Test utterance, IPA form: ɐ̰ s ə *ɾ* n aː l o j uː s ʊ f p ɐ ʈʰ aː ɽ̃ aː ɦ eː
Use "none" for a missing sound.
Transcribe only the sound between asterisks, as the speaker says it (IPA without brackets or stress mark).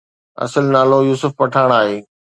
l